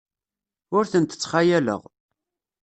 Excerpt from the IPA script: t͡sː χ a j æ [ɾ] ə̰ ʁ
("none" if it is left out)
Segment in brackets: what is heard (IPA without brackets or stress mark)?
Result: l